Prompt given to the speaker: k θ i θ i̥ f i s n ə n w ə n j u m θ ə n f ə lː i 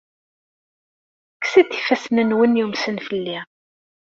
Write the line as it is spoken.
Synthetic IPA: k s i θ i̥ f æ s n ə n w ə n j u m s ə n f ə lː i